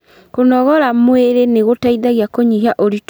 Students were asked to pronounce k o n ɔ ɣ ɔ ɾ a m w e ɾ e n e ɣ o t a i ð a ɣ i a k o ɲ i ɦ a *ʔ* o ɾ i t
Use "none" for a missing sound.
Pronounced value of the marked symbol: ʔ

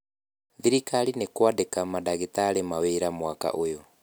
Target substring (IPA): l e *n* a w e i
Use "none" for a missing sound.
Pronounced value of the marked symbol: m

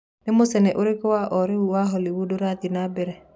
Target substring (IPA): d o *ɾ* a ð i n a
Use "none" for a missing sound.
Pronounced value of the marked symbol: ɾ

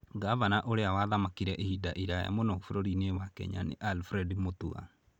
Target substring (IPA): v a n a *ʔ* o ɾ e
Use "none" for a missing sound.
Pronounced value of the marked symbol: ʔ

